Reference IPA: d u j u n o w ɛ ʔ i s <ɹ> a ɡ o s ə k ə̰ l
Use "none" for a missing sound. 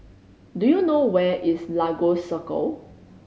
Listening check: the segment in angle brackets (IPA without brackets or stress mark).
l